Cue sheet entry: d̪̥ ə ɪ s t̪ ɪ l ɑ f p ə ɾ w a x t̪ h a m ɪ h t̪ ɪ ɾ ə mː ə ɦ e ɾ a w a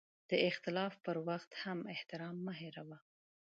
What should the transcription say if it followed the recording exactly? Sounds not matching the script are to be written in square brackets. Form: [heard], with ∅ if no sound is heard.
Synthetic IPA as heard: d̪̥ ə ɪ [x] t̪ ɪ l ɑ f p ə ɾ w a x t̪ h a m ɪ h t̪ ɪ ɾ [ɑ] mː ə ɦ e ɾ a w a

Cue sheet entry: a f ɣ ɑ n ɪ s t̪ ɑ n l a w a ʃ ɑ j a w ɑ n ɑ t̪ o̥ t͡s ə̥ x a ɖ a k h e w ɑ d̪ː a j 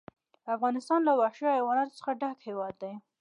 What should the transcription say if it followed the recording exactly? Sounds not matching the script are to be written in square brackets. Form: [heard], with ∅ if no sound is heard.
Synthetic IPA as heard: a f ɣ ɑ n ɪ s t̪ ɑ n l a w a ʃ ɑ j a w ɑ n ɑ t̪ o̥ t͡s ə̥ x a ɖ a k h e w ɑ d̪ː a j

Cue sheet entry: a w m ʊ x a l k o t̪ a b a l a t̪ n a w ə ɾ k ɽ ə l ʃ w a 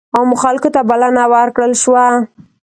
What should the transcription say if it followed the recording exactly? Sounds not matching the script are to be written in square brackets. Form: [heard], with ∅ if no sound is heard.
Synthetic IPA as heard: a w m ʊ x a l k o t̪ a b a l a [∅] n a w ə ɾ k ɽ ə l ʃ w a

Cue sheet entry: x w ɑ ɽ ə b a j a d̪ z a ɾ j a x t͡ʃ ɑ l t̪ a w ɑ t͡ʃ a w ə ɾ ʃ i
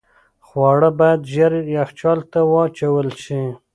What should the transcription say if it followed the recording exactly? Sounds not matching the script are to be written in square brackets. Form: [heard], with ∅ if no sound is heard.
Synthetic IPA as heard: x w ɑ ɽ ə b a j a d̪ [ʒ] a ɾ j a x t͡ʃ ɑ l t̪ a w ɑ t͡ʃ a w ə [l] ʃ i

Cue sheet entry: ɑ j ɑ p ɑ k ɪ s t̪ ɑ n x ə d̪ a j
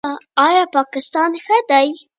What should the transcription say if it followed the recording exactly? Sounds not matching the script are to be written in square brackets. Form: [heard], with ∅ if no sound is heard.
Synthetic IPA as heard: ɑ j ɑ p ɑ k ɪ s t̪ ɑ n x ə d̪ a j

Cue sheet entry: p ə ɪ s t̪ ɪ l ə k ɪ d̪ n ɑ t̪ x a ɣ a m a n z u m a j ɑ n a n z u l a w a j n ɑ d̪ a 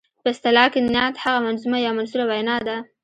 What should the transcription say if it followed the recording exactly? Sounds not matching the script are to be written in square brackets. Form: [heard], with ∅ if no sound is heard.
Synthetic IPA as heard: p ə ɪ s t̪ ɪ l [ɑ] k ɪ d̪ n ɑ t̪ [h] a ɣ a m a n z u m a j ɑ [m] a n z u l a w a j n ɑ d̪ a

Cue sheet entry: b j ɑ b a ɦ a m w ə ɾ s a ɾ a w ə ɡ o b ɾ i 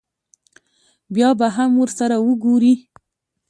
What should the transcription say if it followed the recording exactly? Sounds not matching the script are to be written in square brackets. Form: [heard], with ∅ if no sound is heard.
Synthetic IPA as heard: b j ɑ b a ɦ a m w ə ɾ s a ɾ a w ə ɡ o [∅] ɾ i

